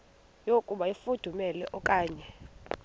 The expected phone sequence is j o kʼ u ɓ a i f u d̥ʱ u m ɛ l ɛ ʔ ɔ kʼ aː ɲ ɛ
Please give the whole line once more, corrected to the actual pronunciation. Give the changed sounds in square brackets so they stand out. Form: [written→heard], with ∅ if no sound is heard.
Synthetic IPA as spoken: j o kʼ u ɓ a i f u d̥ʱ u m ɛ l ɛ ʔ ɔ kʼ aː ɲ ɛ